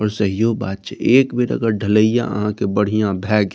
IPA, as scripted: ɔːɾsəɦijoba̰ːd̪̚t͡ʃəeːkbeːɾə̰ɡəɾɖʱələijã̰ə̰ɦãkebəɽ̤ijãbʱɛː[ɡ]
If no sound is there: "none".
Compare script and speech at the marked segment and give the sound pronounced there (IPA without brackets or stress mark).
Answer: ɡ